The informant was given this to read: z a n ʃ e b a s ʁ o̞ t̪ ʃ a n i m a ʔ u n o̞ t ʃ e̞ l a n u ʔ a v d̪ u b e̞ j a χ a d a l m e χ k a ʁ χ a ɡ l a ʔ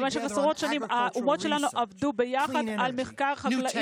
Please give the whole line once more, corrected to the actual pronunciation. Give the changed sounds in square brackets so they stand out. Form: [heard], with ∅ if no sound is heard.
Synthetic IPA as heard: [v] a n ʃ e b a s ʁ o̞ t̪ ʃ a n i m a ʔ u [m] o̞ t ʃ e̞ l a n u ʔ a v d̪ u b e̞ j a χ a d a l m e χ k a ʁ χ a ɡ l a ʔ